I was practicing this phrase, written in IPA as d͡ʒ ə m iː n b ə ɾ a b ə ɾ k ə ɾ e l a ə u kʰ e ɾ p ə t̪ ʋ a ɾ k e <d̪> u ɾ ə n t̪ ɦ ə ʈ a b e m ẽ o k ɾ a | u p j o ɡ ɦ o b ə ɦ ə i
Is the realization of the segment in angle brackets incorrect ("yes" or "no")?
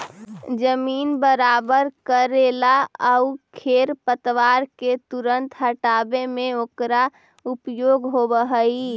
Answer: yes